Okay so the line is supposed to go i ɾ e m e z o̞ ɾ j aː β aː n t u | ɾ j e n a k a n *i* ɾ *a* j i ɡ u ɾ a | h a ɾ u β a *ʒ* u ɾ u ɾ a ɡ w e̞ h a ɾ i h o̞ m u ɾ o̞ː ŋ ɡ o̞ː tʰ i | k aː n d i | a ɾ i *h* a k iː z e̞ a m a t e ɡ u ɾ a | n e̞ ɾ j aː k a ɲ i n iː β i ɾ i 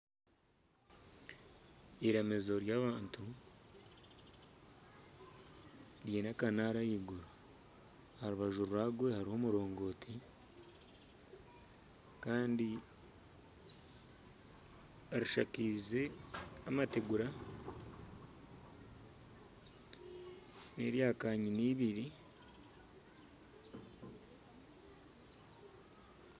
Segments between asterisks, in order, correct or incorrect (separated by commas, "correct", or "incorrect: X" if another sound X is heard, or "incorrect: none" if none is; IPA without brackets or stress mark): incorrect: a, correct, correct, incorrect: ʃ